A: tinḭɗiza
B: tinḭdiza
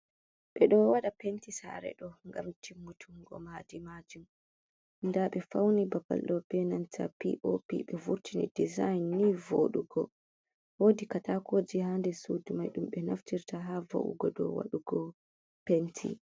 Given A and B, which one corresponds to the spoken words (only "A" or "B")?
B